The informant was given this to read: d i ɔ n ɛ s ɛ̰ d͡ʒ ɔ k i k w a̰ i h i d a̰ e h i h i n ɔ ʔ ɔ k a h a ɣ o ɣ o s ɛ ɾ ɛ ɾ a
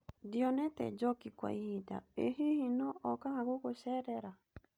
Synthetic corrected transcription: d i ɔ n ɛ t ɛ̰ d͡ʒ ɔ k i k w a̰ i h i d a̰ e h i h i n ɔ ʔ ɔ k a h a ɣ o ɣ o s ɛ ɾ ɛ ɾ a